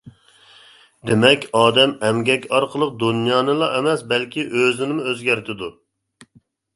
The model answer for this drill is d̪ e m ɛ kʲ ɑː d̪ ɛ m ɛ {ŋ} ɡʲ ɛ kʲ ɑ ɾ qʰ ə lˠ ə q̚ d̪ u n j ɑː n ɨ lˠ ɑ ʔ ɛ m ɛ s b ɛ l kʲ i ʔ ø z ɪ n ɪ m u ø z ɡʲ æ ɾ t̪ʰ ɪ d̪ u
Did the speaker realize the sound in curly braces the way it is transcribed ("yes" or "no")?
no